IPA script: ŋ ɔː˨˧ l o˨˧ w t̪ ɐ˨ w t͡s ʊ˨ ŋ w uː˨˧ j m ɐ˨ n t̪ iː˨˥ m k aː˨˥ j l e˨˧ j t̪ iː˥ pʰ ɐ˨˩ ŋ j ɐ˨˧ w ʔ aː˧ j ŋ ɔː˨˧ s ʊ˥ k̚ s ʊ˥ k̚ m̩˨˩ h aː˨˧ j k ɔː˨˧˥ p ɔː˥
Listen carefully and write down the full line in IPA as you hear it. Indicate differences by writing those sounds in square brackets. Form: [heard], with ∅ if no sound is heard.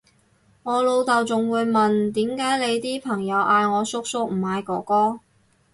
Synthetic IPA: ŋ ɔː˨˧ l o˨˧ w t̪ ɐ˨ w t͡s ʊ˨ ŋ w uː˨˧ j m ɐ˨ n t̪ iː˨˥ m k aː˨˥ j l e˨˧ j t̪ iː˥ pʰ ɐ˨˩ ŋ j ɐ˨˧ w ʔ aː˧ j ŋ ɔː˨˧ s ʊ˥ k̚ s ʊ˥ k̚ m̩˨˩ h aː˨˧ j k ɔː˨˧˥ [k] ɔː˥